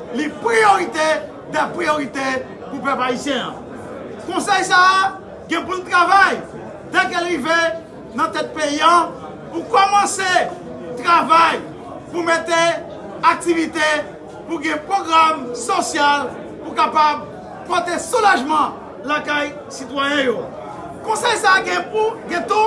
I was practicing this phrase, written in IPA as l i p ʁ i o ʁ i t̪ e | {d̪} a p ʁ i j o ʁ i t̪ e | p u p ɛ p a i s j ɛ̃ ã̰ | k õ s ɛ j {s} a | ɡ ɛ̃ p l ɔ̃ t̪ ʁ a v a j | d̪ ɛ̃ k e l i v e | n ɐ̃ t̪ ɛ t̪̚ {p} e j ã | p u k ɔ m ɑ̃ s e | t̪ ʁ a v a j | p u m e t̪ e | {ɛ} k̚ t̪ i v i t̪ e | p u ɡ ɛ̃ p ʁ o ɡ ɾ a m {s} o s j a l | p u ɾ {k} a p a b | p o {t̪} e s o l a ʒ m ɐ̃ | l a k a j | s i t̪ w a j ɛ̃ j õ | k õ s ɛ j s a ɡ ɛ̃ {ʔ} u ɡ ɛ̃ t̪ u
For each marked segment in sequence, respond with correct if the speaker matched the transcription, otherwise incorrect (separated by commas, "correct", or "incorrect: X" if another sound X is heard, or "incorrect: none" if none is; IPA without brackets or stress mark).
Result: correct, correct, correct, incorrect: a, correct, correct, correct, incorrect: p